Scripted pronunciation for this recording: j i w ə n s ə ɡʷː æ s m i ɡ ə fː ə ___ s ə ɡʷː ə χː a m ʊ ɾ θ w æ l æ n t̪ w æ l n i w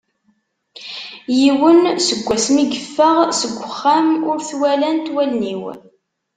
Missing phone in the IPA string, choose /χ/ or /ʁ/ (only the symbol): ʁ